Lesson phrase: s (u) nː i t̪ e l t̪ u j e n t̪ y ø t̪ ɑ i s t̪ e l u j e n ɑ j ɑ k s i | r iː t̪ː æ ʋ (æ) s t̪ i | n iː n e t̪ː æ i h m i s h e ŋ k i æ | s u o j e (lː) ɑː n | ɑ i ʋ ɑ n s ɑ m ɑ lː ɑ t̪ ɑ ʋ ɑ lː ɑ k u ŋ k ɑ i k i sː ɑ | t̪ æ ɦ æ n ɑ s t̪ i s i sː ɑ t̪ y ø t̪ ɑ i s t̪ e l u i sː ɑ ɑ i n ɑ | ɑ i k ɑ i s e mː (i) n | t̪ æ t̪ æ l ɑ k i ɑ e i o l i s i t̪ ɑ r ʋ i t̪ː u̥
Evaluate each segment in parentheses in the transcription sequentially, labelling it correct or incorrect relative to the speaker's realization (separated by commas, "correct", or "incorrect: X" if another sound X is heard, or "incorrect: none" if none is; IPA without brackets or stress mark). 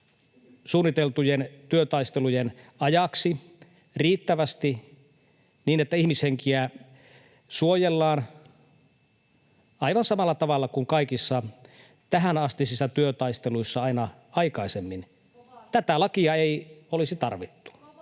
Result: incorrect: uː, correct, correct, correct